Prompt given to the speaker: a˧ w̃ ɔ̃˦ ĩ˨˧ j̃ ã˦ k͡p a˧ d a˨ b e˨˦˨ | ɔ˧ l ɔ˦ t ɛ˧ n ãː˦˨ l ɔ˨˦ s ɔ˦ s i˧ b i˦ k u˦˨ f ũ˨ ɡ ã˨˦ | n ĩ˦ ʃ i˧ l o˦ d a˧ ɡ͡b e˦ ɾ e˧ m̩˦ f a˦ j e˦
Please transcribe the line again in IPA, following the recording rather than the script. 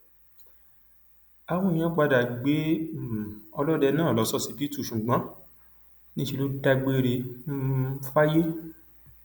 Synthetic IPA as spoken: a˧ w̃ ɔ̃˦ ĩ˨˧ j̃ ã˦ k͡p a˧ d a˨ ɡ͡b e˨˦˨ | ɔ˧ l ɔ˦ d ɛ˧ n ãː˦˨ l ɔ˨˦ s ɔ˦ s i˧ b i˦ t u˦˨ ʃ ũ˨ ɡ͡b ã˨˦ | n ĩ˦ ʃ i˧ l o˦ d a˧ ɡ͡b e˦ ɾ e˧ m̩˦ f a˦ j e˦

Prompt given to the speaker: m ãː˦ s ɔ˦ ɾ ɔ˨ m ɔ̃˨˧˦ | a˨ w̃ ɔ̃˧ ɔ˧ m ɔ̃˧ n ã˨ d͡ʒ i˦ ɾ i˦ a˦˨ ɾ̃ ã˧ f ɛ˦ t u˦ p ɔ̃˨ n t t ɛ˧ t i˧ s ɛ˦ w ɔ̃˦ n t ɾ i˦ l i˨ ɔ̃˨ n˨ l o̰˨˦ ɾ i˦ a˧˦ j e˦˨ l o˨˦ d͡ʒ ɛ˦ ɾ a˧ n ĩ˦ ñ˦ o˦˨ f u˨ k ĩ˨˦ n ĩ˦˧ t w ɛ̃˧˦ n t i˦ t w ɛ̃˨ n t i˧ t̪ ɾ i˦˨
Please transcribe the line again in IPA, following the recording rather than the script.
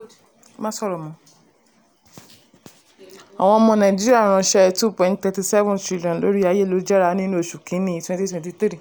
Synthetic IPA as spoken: m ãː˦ s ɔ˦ ɾ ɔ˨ m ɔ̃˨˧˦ | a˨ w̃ ɔ̃˧ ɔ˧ m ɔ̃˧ n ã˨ d͡ʒ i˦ ɾ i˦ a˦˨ ɾ̃ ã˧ ʃ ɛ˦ t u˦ p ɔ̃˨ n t t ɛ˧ t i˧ s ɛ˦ v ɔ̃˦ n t ɾ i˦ l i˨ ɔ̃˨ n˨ l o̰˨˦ ɾ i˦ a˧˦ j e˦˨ l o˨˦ d͡ʒ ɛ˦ ɾ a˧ n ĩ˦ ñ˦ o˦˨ ʃ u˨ k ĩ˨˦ n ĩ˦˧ t w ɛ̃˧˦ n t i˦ t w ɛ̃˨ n t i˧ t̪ ɾ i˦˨

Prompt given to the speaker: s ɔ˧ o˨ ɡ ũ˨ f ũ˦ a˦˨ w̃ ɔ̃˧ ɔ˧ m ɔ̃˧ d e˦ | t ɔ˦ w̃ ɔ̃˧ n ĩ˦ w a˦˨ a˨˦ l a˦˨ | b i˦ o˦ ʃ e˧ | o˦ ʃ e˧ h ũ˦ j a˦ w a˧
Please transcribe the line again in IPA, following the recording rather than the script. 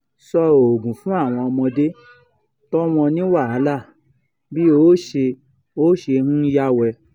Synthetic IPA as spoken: s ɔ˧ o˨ ɡ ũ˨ f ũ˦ a˦˨ w̃ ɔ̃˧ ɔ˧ m ɔ̃˧ d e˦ | t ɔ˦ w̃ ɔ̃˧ n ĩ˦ w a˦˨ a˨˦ l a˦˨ | b i˦ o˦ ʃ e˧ | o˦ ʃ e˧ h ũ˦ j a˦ w ɛ˧

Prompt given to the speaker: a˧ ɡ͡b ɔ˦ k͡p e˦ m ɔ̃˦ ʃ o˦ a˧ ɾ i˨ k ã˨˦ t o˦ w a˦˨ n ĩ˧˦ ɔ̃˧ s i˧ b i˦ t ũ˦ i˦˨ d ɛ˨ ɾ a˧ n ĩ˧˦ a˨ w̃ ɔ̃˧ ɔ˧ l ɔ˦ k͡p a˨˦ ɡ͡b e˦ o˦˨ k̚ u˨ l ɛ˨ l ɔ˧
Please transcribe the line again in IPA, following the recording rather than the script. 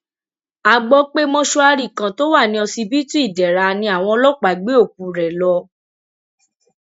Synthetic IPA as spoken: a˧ ɡ͡b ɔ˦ k͡p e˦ m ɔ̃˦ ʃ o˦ a˧ ɾ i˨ k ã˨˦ t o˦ w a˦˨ n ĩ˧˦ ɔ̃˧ s i˧ b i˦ t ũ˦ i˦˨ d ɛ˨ ɾ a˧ n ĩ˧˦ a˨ w̃ ɔ̃˧ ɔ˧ l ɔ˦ k͡p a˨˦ ɡ͡b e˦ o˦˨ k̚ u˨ ɾ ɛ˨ l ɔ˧

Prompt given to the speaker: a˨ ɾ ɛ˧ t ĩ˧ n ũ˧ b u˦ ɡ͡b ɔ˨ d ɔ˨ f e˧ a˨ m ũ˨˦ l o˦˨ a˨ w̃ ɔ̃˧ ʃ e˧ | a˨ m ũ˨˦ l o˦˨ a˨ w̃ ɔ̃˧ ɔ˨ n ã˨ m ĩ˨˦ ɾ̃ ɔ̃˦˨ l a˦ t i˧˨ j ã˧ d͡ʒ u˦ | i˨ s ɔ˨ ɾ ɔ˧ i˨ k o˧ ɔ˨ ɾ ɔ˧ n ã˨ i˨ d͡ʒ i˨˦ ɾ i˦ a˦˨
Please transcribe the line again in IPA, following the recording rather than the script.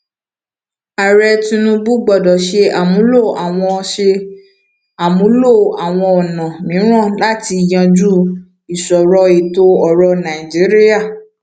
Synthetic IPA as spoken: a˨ ɾ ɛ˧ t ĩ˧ n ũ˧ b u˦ ɡ͡b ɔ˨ d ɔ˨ ʃ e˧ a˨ m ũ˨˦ l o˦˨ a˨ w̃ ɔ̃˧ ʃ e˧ | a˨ m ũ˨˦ l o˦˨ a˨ w̃ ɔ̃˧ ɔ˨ n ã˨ m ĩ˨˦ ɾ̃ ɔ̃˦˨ l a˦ t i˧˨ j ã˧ d͡ʒ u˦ | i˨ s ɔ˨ ɾ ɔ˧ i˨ t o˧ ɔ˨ ɾ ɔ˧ n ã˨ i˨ d͡ʒ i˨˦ ɾ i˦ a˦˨

